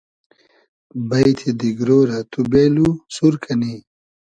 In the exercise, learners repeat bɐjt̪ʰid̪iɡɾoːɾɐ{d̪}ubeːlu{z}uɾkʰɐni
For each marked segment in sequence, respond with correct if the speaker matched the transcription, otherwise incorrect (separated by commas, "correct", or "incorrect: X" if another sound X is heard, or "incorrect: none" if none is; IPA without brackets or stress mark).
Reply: incorrect: t̪, incorrect: s